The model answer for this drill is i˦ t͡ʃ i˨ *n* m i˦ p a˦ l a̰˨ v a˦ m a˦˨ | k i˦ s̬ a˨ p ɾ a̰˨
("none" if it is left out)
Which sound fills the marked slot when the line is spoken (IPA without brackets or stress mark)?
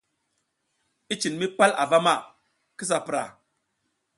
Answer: n